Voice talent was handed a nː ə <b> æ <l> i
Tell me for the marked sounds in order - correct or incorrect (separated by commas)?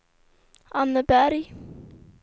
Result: correct, incorrect